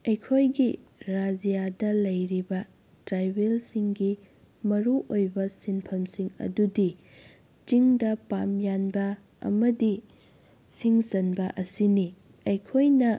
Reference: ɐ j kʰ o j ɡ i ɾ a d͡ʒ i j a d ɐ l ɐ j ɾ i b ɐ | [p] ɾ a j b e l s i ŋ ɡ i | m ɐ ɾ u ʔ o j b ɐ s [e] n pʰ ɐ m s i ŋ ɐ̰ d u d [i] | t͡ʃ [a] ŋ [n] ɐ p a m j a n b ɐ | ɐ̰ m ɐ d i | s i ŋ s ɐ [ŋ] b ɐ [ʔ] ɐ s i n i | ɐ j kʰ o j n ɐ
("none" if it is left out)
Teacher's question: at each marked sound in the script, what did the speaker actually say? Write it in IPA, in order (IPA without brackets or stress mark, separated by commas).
t, i, i, i, d, n, ʔ